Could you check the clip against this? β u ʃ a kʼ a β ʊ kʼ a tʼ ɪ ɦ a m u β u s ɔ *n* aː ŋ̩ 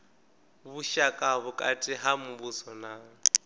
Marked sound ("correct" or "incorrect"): correct